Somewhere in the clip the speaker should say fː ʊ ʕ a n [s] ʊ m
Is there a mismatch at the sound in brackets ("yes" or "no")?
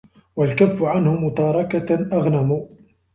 yes